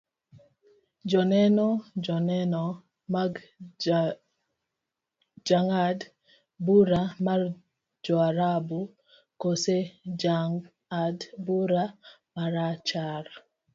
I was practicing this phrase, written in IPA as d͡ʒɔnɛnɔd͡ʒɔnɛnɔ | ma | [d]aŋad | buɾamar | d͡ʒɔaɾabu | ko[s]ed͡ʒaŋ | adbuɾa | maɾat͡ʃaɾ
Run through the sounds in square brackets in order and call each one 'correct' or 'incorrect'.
incorrect: d͡ʒ, correct

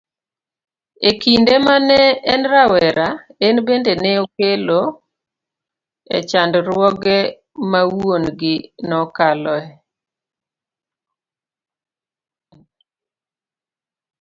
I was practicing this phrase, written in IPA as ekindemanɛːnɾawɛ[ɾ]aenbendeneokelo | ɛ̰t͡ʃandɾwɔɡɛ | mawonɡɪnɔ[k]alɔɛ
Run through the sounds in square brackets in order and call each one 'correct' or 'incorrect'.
correct, correct

